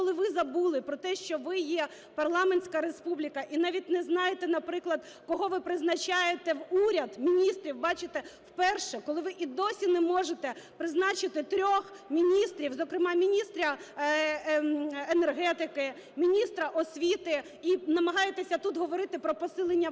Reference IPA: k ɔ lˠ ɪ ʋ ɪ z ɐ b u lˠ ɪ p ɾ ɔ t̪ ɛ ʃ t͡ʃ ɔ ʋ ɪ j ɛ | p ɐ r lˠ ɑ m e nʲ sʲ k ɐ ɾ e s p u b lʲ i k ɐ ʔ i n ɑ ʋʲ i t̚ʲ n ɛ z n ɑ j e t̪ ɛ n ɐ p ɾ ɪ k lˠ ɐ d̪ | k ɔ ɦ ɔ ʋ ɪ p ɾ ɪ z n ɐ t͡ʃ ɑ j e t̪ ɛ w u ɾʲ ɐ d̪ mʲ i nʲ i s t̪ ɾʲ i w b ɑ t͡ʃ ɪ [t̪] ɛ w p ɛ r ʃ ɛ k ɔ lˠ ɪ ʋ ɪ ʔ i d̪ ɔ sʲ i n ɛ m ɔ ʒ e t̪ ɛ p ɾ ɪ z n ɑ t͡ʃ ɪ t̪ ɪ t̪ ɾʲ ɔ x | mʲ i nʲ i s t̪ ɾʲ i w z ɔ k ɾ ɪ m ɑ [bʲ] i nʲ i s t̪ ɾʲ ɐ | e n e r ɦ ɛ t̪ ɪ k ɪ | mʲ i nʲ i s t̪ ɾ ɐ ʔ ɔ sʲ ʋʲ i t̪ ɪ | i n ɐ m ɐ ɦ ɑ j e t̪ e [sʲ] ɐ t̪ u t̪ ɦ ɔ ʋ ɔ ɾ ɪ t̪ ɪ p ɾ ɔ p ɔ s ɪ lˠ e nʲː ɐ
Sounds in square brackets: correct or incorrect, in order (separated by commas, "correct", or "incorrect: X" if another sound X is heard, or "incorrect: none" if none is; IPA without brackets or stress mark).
correct, incorrect: mʲ, correct